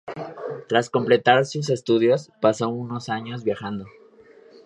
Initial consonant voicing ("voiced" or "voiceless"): voiceless